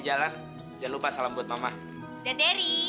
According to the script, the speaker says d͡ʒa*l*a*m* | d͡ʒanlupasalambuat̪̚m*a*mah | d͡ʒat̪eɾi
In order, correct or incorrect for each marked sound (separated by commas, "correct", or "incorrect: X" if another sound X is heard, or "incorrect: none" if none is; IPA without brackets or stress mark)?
correct, incorrect: n, correct